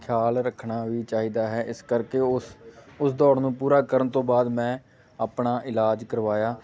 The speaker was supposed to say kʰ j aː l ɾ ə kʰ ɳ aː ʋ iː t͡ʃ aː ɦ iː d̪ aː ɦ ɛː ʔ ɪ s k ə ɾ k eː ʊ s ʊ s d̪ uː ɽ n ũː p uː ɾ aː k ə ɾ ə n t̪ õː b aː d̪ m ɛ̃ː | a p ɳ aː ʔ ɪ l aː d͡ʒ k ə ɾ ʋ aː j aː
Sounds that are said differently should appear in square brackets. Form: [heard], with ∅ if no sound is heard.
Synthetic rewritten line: kʰ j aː l ɾ ə kʰ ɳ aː ʋ iː t͡ʃ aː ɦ iː d̪ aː ɦ ɛː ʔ ɪ s k ə ɾ k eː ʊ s ʊ s d̪ [ɔː] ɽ n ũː p uː ɾ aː k ə ɾ ə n t̪ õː b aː d̪ m ɛ̃ː | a p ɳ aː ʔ ɪ l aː d͡ʒ k ə ɾ ʋ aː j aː